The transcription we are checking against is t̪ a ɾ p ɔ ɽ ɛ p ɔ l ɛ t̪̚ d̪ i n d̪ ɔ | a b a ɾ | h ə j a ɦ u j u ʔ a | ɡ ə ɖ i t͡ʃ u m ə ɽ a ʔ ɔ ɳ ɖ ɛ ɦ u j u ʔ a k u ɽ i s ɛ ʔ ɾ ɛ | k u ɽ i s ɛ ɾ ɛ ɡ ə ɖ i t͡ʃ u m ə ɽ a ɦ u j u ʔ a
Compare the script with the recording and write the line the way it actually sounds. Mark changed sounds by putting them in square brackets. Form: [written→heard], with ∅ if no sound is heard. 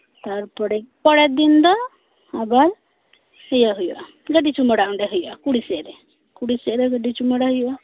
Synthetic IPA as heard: t̪ a ɾ p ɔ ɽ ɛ p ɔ [l→ɽ] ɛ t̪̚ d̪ i n d̪ ɔ | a b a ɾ | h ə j a ɦ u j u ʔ a | ɡ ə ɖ i t͡ʃ u m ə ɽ a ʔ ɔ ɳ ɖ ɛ ɦ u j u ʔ a k u ɽ i s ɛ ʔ ɾ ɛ | k u ɽ i s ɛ ɾ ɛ ɡ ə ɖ i t͡ʃ u m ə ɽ a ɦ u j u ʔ a